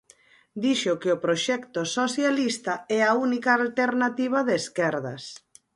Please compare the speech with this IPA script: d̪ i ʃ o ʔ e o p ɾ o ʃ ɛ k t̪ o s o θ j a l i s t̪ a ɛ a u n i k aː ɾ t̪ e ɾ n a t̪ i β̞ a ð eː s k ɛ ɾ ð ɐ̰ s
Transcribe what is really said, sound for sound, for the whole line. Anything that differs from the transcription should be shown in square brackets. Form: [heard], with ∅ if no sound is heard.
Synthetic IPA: d̪ i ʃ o [k] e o p ɾ o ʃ ɛ k t̪ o s o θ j a l i s t̪ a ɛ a u n i k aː [l] t̪ e ɾ n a t̪ i β̞ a ð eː s k ɛ ɾ ð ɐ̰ s